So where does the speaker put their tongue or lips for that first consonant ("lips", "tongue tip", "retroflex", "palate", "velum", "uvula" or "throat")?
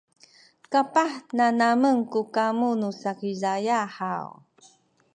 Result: velum